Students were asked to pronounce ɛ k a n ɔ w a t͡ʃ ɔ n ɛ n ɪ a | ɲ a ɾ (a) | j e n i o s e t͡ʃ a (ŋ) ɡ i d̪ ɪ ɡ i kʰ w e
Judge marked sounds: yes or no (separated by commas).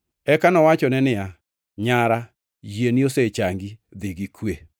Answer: yes, yes